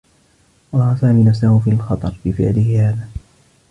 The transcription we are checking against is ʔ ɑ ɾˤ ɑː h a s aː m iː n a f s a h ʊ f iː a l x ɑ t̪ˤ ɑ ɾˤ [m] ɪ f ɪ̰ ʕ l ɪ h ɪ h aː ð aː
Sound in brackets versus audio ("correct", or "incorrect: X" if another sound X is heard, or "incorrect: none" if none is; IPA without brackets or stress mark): incorrect: b